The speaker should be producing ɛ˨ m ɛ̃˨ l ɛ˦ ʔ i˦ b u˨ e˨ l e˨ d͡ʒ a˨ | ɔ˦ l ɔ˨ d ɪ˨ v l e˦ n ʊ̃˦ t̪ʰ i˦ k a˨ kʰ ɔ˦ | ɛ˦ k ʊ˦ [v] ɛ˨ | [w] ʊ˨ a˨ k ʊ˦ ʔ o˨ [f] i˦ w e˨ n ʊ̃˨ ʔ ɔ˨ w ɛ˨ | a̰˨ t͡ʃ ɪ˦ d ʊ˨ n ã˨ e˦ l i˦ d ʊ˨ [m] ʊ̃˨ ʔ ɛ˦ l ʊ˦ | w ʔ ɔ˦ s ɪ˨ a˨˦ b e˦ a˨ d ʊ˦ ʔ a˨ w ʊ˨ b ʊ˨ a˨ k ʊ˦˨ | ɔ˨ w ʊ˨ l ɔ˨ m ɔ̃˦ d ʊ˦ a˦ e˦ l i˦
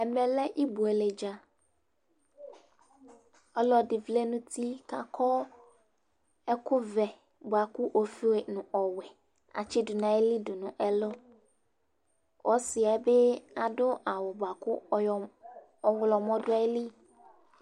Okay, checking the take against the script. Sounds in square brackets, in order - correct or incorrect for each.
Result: correct, incorrect: b, correct, incorrect: n

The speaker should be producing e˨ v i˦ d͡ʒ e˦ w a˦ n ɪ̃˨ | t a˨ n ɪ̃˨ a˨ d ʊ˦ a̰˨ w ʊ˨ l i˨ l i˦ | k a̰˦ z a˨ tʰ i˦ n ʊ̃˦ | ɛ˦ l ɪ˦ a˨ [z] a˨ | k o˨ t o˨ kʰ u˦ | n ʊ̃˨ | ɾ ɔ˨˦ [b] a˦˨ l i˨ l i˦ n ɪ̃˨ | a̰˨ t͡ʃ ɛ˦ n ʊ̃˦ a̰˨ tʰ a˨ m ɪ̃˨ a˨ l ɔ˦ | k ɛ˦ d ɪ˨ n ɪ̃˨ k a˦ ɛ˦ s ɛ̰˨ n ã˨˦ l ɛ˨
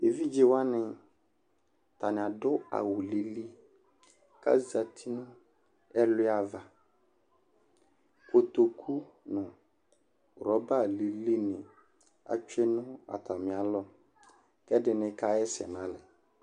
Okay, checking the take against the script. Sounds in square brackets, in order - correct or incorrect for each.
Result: incorrect: v, correct

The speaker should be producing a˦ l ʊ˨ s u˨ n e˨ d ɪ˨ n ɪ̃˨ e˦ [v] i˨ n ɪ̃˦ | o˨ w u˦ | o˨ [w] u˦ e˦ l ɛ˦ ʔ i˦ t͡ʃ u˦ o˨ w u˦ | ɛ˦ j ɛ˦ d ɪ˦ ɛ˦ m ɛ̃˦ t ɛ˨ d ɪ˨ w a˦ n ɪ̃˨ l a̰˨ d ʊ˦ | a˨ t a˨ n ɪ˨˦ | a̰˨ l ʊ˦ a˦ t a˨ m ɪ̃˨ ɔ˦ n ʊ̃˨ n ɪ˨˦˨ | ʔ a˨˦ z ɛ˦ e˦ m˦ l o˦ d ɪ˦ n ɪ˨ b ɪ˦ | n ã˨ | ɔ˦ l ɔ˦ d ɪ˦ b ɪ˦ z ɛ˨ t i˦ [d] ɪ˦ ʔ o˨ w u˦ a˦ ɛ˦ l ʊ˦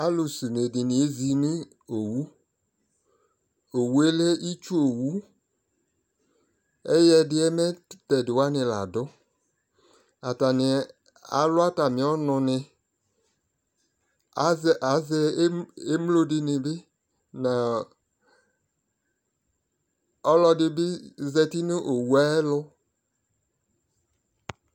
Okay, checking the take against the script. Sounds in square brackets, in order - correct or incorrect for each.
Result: incorrect: z, correct, incorrect: n

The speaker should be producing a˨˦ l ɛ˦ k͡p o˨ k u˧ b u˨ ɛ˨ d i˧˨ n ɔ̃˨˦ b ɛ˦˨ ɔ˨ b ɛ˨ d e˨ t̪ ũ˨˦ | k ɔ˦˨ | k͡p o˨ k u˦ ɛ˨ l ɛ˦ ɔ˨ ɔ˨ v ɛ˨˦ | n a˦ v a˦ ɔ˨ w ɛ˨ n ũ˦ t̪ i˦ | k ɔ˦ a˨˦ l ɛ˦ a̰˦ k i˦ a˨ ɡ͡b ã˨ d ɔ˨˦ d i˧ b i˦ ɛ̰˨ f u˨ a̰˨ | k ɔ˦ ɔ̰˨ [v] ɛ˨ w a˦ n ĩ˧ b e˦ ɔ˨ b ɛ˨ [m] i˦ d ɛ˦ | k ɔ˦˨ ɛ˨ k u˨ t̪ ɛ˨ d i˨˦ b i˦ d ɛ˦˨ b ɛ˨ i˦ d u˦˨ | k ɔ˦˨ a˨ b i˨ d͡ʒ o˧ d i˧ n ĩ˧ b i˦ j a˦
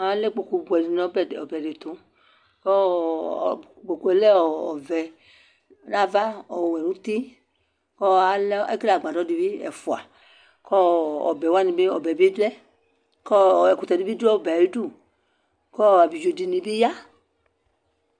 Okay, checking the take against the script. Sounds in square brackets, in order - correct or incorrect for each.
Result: incorrect: b, incorrect: b

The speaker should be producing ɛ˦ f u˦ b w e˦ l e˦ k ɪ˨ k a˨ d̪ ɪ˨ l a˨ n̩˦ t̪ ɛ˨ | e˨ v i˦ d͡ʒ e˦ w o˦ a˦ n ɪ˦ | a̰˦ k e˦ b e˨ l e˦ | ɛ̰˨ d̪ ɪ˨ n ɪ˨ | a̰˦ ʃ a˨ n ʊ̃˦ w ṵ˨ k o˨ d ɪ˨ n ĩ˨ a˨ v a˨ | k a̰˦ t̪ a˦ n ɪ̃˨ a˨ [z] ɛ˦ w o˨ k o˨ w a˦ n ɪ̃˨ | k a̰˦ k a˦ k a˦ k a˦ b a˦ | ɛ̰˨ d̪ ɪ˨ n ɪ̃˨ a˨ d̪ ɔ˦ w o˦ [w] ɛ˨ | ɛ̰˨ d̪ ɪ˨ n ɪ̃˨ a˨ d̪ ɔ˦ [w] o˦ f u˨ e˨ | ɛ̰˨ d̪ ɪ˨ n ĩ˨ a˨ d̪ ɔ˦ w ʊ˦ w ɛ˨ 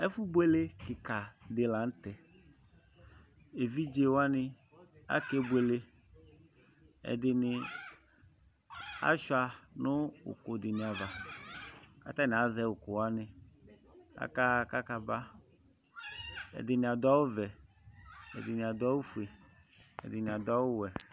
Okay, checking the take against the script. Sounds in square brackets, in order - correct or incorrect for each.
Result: correct, incorrect: v, correct

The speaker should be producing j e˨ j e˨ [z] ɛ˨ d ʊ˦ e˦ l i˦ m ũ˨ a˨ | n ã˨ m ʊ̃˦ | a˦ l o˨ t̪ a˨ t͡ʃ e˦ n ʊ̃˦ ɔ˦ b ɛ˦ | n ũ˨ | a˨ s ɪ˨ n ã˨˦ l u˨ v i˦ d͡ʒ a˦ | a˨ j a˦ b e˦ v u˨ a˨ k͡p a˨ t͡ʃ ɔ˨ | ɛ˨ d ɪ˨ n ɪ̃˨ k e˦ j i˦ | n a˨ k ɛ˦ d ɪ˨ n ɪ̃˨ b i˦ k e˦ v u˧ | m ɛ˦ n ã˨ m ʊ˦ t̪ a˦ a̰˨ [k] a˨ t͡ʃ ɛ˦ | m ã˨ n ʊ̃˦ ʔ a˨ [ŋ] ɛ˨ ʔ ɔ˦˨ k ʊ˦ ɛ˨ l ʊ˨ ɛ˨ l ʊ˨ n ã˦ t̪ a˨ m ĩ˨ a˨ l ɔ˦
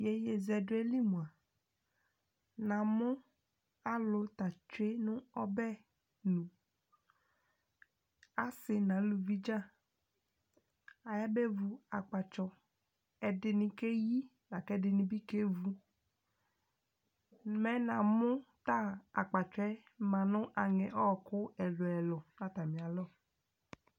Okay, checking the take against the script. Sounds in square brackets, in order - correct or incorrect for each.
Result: correct, incorrect: k͡p, correct

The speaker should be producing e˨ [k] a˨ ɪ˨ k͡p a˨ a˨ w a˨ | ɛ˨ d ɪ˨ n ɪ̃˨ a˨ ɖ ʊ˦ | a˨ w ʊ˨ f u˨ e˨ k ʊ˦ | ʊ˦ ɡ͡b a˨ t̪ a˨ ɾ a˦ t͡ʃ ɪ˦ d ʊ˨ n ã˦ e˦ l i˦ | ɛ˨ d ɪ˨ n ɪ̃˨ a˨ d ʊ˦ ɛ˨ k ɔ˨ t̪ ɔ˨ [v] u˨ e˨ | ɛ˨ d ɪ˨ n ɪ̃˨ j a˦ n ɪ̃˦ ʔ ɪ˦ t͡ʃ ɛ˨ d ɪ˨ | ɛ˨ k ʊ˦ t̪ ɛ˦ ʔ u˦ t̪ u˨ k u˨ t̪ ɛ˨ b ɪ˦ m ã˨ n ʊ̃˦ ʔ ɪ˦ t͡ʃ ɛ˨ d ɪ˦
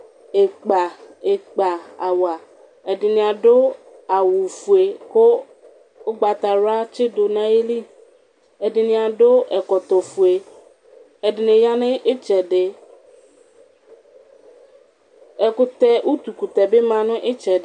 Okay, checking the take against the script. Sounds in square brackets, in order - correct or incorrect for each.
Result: incorrect: k͡p, incorrect: f

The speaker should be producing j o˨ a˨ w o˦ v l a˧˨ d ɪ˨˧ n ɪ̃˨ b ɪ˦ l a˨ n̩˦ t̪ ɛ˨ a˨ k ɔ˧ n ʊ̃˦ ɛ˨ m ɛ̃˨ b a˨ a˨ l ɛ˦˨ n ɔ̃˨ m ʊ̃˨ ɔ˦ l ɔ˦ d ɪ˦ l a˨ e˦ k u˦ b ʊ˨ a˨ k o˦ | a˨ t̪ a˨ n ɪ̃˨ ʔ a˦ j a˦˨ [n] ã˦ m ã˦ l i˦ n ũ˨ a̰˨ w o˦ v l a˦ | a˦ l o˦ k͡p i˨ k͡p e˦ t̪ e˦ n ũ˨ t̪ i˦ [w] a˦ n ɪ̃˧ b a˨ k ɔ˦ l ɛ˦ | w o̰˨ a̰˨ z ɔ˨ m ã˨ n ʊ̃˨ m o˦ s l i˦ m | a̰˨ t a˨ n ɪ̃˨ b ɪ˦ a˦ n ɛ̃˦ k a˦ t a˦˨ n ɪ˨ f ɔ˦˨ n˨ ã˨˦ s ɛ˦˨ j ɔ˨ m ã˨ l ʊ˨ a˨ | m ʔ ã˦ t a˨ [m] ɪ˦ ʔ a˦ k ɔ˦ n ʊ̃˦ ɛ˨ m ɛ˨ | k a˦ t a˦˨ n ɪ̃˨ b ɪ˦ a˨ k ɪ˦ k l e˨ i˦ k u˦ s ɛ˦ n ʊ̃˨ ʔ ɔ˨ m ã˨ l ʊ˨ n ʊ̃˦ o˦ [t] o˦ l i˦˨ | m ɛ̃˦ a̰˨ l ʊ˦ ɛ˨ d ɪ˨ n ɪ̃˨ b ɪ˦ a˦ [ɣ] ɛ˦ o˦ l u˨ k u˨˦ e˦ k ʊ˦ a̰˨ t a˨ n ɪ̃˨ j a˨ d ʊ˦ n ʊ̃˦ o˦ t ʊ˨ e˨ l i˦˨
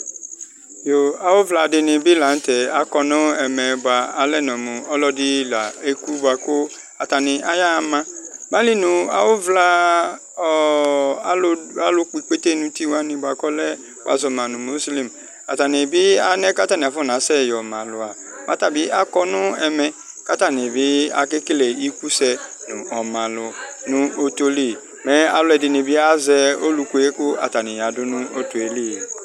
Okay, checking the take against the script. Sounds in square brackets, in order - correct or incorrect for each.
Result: incorrect: m, correct, incorrect: b, correct, incorrect: z

